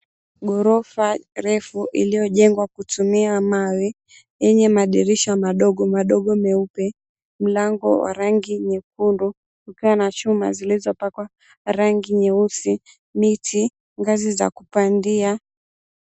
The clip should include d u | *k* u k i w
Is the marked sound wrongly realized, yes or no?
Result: no